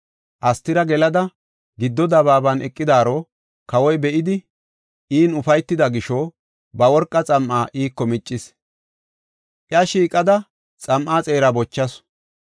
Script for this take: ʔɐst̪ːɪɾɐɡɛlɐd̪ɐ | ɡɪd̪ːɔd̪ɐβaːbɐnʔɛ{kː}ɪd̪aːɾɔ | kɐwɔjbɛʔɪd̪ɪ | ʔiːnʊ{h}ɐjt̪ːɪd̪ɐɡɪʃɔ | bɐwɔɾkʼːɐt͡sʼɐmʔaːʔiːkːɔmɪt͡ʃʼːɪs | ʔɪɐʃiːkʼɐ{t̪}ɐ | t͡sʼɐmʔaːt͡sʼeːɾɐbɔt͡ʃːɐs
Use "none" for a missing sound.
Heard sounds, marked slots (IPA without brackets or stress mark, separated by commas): kʼː, f, d̪